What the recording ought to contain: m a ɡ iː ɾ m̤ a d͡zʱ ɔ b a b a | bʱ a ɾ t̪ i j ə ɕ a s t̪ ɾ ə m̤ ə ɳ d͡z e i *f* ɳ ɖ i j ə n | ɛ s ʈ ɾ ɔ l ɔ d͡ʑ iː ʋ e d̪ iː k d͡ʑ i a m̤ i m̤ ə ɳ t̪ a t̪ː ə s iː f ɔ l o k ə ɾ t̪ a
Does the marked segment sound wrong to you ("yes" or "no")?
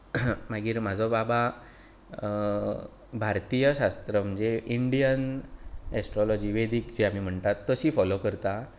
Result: yes